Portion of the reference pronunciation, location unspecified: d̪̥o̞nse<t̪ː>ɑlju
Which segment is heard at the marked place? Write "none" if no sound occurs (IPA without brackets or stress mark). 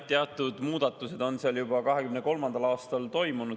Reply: none